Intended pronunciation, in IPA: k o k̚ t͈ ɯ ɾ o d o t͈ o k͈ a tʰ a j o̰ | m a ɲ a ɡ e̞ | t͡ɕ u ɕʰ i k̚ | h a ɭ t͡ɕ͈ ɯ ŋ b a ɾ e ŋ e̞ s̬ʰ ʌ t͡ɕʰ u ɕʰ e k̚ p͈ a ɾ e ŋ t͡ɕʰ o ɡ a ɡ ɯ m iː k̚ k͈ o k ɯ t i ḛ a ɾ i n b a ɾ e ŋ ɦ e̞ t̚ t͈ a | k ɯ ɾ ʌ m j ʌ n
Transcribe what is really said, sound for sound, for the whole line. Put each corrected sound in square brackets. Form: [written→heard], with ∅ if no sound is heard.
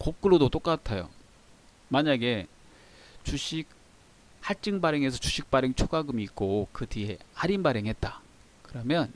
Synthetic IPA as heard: k o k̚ [t͈→k͈] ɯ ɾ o d o t͈ o k͈ a tʰ a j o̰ | m a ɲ a ɡ e̞ | t͡ɕ u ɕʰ i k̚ | h a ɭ t͡ɕ͈ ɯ ŋ b a ɾ e ŋ e̞ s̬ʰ ʌ [t͡ɕʰ→t͡ɕ] u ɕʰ [e→i] k̚ p͈ a ɾ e ŋ t͡ɕʰ o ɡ a ɡ ɯ m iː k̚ k͈ o k ɯ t i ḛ a ɾ i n b a ɾ e ŋ ɦ e̞ t̚ t͈ a | k ɯ ɾ ʌ m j ʌ n